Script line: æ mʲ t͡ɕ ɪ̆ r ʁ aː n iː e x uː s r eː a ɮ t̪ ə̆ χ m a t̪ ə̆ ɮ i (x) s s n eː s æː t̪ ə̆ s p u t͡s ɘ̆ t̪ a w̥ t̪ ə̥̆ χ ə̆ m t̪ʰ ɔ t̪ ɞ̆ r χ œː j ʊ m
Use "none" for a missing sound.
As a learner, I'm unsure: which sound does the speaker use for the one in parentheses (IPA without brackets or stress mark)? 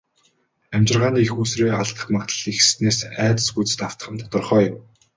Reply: x